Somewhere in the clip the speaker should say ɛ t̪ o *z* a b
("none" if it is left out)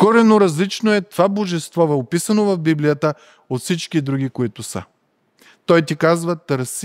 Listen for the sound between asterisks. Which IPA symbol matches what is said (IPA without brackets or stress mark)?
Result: v